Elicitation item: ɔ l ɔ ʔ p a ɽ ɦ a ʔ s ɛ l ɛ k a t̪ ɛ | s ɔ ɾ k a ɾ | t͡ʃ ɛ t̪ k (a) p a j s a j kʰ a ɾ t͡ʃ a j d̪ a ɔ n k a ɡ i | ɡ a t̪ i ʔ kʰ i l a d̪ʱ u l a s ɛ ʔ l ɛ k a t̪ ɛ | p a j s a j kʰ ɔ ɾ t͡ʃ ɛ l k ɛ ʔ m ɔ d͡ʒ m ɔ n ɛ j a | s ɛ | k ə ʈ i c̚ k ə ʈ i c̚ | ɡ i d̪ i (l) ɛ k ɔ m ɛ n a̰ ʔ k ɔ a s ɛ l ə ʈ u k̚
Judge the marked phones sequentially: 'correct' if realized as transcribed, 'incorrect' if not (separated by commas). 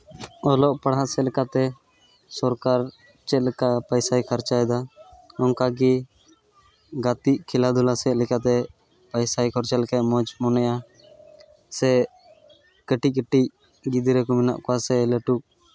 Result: correct, incorrect